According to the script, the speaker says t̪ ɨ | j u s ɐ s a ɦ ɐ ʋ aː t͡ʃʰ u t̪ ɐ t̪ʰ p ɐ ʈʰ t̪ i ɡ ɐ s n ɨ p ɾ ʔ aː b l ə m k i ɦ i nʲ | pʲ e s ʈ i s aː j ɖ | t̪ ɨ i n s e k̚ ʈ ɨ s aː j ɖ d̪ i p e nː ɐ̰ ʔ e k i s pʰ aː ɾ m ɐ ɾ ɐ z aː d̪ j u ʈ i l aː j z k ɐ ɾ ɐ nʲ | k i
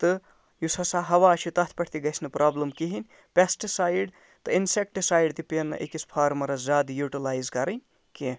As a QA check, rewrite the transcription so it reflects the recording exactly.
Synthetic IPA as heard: t̪ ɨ | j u s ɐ s a ɦ ɐ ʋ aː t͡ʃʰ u t̪ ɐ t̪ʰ p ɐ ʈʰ t̪ i ɡ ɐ s n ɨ p ɾ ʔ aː b l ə m k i ɦ i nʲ | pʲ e s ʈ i s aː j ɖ | t̪ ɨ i n s e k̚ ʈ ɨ s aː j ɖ t̪ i p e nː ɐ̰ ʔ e k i s pʰ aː ɾ m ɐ ɾ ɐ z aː d̪ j u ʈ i l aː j z k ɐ ɾ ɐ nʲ | k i